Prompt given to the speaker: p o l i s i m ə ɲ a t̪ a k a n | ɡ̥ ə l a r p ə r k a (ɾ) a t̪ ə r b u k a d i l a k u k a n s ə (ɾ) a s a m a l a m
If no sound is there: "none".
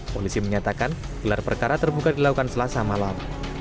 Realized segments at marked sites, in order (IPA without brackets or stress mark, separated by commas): ɾ, l